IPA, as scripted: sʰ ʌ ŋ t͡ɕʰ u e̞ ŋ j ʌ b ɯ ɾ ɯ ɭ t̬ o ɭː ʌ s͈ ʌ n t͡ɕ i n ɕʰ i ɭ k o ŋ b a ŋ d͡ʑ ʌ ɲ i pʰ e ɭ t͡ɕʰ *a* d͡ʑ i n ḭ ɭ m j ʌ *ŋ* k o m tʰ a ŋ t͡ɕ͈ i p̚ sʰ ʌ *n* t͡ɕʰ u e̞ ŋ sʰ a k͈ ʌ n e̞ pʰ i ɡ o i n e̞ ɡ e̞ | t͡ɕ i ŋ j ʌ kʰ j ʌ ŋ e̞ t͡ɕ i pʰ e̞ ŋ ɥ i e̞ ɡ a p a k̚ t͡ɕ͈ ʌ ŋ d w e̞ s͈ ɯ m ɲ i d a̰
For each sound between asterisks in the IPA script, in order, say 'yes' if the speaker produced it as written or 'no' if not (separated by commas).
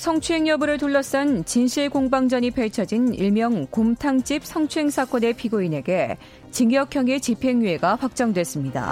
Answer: no, yes, no